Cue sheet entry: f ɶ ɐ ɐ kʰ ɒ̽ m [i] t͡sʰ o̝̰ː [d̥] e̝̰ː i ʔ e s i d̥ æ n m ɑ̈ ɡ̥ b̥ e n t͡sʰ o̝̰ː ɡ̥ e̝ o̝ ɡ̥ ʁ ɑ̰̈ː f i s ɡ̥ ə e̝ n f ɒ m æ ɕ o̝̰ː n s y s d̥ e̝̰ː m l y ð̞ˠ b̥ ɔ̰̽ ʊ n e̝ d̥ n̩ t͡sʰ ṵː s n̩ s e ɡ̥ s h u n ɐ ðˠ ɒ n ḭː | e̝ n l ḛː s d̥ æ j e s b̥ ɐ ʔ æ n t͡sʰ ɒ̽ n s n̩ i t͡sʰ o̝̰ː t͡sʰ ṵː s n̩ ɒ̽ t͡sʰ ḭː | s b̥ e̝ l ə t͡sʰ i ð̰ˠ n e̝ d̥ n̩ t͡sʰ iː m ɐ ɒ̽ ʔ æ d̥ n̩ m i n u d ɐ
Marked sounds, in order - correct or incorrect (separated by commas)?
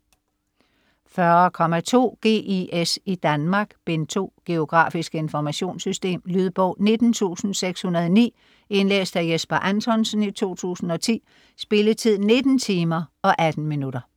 incorrect, incorrect